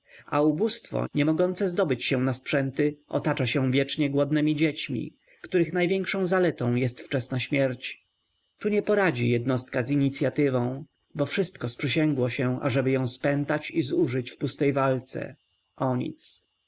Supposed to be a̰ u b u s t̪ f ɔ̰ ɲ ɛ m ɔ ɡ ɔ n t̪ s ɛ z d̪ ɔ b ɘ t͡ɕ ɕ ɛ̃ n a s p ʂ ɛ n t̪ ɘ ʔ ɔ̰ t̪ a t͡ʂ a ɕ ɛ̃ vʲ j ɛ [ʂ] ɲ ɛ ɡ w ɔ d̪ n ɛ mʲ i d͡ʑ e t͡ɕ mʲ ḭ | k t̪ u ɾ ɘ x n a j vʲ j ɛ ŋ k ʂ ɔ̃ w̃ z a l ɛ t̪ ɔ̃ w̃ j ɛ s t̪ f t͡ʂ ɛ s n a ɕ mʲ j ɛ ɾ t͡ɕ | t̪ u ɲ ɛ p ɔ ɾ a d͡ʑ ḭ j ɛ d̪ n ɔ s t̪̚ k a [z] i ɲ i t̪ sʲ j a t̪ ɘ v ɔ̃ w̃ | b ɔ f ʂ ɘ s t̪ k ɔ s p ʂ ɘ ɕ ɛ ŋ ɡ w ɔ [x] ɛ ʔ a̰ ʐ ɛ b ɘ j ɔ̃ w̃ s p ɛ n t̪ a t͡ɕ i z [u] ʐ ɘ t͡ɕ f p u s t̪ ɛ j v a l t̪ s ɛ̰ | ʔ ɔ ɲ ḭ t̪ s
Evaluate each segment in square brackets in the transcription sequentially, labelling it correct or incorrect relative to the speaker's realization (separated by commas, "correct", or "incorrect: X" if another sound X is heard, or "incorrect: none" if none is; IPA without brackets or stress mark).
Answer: incorrect: t͡ʂ, correct, incorrect: ɕ, correct